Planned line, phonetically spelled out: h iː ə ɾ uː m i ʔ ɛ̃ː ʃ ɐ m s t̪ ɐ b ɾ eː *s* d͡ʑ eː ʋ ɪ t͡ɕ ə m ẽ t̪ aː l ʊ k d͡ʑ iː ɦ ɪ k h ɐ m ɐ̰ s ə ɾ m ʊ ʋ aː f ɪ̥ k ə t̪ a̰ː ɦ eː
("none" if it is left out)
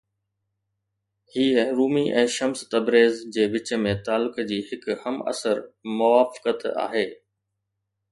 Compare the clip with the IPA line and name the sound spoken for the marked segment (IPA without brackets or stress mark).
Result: z